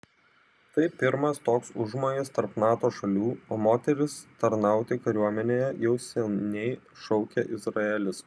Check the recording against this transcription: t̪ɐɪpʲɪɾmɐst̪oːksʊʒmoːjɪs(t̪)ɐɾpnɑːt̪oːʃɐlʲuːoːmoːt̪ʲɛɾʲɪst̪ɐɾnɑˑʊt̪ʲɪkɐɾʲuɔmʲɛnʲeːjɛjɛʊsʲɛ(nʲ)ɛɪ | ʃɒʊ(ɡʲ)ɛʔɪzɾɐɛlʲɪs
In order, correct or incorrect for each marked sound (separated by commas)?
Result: correct, correct, incorrect